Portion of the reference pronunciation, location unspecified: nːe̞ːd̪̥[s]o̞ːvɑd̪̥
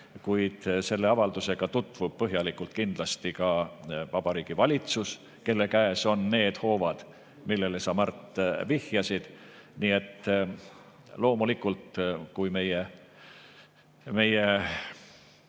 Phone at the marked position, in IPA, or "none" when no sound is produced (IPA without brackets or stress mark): h